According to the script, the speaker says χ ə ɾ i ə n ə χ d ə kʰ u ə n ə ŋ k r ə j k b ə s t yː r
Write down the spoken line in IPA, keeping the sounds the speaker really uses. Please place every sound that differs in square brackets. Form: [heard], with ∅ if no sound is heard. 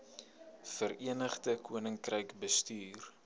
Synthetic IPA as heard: [f] ə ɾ i ə n ə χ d ə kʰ u ə n ə ŋ k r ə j k b ə s t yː r